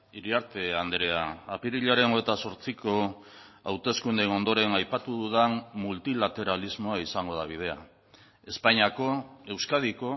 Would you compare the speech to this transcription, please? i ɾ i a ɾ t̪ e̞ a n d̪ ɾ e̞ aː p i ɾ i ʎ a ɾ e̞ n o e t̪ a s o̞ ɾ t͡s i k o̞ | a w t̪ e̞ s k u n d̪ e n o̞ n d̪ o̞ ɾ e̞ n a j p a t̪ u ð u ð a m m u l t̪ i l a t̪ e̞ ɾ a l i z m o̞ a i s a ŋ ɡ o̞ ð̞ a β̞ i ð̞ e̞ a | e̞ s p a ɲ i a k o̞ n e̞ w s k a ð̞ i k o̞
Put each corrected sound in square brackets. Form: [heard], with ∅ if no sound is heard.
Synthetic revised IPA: i ɾ i a ɾ t̪ e̞ a n d̪ ɾ e̞ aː p i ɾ i ʎ a ɾ e̞ n o e t̪ a s o̞ ɾ t͡s i k o̞ | a w t̪ e̞ s k u n d̪ e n o̞ n d̪ o̞ ɾ e̞ n a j p a t̪ u ð u ð a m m u l t̪ i l a t̪ e̞ ɾ a l i z m o̞ a i s a ŋ ɡ o̞ ð̞ a β̞ i ð̞ e̞ a | e̞ s p a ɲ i a k o̞ [∅] e̞ w s k a ð̞ i k o̞